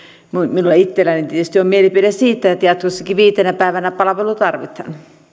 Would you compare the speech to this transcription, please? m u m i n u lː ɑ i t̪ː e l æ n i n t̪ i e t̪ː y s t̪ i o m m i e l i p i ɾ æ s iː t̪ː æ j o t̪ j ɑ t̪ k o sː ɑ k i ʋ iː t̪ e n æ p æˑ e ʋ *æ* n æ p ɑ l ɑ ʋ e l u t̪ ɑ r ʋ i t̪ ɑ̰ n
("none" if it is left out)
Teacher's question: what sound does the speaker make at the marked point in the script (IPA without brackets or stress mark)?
æ